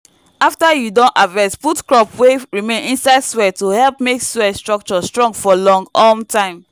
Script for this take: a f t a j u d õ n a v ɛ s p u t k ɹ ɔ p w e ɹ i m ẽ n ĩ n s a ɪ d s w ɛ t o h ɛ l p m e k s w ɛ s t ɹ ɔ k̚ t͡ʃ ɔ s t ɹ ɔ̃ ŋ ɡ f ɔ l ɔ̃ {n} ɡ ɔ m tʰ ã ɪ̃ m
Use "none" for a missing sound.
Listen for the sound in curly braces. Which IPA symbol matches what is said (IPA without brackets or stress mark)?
ŋ